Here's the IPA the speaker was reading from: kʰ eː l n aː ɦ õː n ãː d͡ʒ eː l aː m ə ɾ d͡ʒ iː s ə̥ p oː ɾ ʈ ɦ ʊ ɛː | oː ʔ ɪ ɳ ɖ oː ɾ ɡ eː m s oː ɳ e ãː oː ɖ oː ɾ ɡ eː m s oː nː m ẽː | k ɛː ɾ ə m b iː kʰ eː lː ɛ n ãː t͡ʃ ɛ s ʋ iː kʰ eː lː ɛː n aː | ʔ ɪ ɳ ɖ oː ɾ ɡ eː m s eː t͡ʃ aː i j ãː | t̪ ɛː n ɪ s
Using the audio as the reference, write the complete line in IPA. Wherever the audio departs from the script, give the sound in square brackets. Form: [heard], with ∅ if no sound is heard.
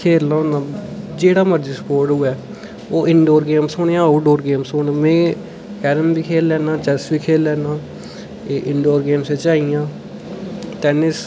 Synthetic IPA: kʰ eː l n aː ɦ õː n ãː d͡ʒ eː [ɽ] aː m ə ɾ d͡ʒ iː s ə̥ p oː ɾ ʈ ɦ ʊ ɛː | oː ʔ ɪ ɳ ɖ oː ɾ ɡ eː m s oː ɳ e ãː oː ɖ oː ɾ ɡ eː m s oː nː m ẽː | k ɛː ɾ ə m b iː kʰ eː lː [ɛː] n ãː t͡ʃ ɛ s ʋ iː kʰ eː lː ɛː n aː | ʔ ɪ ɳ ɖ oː ɾ ɡ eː m s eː t͡ʃ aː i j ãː | t̪ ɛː n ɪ s

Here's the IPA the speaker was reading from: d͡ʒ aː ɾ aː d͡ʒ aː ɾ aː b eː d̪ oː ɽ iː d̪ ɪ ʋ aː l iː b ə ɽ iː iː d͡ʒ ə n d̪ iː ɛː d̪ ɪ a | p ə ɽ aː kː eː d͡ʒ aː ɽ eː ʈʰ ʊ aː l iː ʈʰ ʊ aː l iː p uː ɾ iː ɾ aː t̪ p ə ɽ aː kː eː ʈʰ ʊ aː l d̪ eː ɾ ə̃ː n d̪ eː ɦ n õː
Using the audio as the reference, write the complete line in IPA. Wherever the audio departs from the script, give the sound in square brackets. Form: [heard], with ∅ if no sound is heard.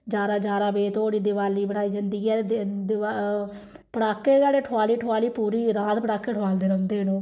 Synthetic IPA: d͡ʒ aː ɾ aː d͡ʒ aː ɾ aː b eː [t̪] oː ɽ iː d̪ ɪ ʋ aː l iː b ə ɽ [aː] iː d͡ʒ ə n d̪ iː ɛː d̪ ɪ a | p ə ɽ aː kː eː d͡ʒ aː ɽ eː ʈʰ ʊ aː l iː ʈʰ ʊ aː l iː p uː ɾ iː ɾ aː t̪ p ə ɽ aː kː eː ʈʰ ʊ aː l d̪ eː ɾ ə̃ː n d̪ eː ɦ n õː

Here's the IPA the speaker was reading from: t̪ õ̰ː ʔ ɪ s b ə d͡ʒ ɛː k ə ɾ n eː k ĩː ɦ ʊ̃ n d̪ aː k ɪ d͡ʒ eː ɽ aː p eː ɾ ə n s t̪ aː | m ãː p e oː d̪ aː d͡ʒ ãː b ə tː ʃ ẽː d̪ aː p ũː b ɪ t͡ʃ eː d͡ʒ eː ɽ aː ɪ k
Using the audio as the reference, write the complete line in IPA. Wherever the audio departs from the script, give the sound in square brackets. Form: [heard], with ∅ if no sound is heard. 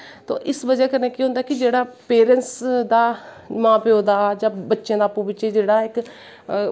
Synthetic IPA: t̪ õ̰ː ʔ ɪ s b ə d͡ʒ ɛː k ə ɾ n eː k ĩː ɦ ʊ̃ n d̪ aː k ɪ d͡ʒ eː ɽ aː p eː ɾ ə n s [d̪] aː | m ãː p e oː d̪ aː d͡ʒ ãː b ə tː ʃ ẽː d̪ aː p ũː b ɪ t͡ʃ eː d͡ʒ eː ɽ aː ɪ k

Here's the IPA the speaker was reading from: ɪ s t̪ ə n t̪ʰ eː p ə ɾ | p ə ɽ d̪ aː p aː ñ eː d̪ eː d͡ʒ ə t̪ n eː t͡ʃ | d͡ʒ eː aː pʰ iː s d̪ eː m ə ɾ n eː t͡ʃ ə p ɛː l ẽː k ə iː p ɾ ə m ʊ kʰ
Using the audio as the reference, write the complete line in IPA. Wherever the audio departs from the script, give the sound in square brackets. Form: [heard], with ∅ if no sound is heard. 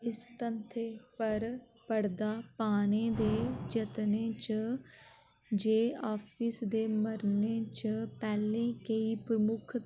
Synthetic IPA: ɪ s t̪ ə n t̪ʰ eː p ə ɾ | p ə ɽ d̪ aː p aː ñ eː d̪ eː d͡ʒ ə t̪ n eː t͡ʃ | d͡ʒ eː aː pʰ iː s d̪ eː m ə ɾ n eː t͡ʃ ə p ɛː l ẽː k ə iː p ɾ ə m ʊ kʰ

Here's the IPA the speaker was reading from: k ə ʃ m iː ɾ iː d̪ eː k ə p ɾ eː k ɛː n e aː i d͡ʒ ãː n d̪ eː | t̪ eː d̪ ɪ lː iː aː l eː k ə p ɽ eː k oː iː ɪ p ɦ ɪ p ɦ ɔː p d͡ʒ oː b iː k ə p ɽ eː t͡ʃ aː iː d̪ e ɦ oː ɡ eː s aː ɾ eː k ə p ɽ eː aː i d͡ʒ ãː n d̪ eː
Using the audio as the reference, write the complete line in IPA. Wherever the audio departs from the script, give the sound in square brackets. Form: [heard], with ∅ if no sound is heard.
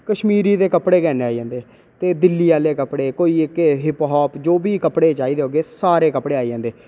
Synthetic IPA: k ə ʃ m iː ɾ iː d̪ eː k ə p [ɽ] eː k ɛː n e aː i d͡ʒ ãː n d̪ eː | t̪ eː d̪ ɪ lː iː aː l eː k ə p ɽ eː k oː iː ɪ [k] ɦ ɪ p ɦ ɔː p d͡ʒ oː b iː k ə p ɽ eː t͡ʃ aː iː d̪ e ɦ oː ɡ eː s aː ɾ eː k ə p ɽ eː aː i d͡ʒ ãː n d̪ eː

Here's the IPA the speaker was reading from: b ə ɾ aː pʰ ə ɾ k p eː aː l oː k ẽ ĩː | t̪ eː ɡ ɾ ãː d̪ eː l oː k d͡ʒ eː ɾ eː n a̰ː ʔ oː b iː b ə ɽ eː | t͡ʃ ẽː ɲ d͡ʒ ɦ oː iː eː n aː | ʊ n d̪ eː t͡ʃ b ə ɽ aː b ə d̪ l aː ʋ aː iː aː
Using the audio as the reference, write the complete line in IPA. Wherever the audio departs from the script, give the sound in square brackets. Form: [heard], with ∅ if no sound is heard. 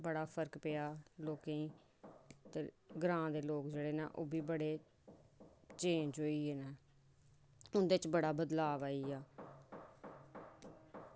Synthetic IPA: b ə [ɽ] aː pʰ ə ɾ k p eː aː l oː k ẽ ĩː | t̪ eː ɡ ɾ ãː d̪ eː l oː k d͡ʒ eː [ɽ] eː n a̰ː ʔ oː b iː b ə ɽ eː | t͡ʃ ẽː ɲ d͡ʒ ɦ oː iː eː n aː | ʊ n d̪ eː t͡ʃ b ə ɽ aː b ə d̪ l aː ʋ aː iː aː

